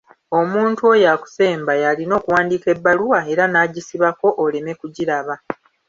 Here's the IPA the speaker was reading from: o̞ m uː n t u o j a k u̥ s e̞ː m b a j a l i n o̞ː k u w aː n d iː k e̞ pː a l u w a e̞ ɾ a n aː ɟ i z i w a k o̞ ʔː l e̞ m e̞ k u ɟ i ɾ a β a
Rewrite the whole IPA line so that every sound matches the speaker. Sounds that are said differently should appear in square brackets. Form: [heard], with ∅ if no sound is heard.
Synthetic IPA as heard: o̞ m uː n t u o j a k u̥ s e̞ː m b a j a l i n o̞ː k u w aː n d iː k e̞ [bː] a l u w a e̞ ɾ a n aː ɟ i [s] i [β] a k o̞ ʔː l e̞ m e̞ k u ɟ i ɾ a β a